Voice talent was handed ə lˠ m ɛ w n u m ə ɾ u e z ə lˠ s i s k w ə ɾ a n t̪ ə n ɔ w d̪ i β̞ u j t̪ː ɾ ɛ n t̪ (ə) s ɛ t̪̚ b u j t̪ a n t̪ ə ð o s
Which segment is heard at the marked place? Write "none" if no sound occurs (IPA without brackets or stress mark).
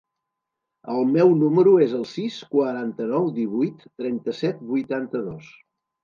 ə